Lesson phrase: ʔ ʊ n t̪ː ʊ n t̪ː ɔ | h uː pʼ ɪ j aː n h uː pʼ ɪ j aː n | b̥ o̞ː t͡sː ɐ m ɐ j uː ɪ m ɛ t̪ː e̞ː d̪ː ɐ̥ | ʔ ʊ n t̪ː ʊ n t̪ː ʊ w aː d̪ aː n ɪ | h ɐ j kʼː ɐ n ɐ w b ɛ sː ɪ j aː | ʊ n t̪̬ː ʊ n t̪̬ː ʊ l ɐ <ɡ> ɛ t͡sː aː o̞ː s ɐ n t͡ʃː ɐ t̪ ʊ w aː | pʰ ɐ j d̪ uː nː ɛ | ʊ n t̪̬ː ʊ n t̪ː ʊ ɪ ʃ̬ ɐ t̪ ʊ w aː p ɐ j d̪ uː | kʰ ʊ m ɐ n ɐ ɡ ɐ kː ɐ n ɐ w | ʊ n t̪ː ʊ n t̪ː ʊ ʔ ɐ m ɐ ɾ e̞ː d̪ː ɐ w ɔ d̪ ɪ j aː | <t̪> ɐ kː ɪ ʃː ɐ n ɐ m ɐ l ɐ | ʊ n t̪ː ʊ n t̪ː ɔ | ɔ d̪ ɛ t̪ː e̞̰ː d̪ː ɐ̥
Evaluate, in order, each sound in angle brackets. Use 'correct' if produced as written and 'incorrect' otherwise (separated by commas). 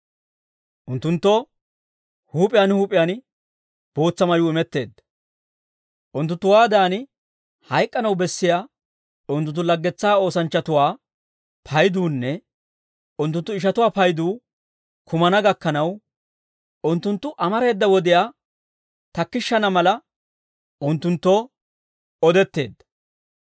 incorrect, correct